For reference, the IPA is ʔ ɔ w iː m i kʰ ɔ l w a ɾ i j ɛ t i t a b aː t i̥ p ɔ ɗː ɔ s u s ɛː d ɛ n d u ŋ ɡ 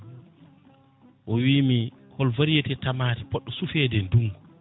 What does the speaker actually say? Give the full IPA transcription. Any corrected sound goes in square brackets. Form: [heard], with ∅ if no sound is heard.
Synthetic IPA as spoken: ʔ ɔ w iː m i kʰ ɔ l [v] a ɾ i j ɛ t [ɛ] t a [m] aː t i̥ p ɔ ɗː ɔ s u [f] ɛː d ɛ n d u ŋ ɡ